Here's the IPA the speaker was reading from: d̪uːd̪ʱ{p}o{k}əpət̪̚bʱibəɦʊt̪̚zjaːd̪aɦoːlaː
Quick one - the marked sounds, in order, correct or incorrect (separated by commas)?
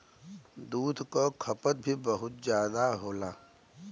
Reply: incorrect, incorrect